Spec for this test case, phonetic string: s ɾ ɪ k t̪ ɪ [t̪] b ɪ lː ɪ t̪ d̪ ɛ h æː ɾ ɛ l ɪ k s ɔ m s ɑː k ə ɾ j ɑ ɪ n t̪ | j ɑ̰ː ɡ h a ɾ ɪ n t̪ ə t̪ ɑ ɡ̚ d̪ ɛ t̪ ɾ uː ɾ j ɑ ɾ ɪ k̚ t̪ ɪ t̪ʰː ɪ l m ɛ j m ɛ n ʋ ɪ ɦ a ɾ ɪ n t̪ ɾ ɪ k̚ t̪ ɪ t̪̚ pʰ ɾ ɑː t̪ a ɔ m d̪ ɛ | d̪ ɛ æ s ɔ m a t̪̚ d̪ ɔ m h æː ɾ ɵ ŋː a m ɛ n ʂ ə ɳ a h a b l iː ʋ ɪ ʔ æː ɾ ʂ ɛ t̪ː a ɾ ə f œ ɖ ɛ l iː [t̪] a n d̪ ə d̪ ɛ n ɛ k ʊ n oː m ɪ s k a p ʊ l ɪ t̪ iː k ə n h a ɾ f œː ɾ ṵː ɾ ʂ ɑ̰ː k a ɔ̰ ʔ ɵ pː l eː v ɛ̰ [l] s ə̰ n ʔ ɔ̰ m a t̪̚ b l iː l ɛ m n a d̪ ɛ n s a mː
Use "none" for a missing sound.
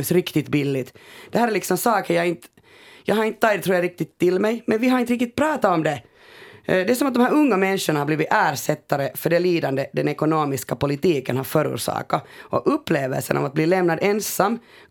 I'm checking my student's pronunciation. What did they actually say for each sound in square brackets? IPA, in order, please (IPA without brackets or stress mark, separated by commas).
t̪, d̪, l